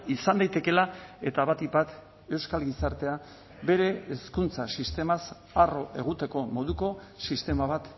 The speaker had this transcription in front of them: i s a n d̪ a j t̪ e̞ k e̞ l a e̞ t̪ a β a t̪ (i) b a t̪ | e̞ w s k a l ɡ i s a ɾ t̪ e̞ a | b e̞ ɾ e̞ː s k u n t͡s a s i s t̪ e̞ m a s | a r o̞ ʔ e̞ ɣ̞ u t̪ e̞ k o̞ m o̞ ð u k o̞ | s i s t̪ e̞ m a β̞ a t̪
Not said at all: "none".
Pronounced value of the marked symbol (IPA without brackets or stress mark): i